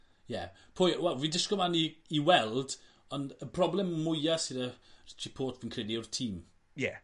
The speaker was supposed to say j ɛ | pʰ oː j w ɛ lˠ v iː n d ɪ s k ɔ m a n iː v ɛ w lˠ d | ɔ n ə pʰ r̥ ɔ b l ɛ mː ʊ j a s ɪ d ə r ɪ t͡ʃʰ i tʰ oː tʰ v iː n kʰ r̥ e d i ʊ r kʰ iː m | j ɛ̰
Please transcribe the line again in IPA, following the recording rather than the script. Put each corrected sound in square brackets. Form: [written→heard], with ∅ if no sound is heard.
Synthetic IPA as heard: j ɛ | pʰ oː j w ɛ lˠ v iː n d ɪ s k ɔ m a n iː [v→w] ɛ [w→∅] lˠ d | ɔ n ə pʰ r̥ ɔ b l ɛ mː ʊ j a s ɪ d ə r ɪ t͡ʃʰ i [tʰ→pʰ] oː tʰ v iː n kʰ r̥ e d i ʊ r [kʰ→tʰ] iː m | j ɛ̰